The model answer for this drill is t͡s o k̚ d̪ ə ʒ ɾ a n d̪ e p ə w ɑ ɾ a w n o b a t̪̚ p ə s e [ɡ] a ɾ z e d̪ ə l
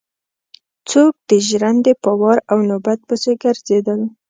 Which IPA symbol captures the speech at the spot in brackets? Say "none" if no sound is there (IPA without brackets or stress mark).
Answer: ɡ